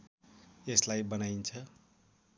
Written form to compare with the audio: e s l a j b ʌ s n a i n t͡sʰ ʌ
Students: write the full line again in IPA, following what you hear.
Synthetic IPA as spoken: e s l a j b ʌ n a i n t͡sʰ ʌ